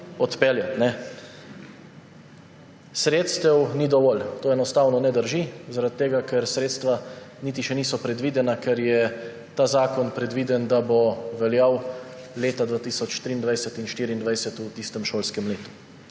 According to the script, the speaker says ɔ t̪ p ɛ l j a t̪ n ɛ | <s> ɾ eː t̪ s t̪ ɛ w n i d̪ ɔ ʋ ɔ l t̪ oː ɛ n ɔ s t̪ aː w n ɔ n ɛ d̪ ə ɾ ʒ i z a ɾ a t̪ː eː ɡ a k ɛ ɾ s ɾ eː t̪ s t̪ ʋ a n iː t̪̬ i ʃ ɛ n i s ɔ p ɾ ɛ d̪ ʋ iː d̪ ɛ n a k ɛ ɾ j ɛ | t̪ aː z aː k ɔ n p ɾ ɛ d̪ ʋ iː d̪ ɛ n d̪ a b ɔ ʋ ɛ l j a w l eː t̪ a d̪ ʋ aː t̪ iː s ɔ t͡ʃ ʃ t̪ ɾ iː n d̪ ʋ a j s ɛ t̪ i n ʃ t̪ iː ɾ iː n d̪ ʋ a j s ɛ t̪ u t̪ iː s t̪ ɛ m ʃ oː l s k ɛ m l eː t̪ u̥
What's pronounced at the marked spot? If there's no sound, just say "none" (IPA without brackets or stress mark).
s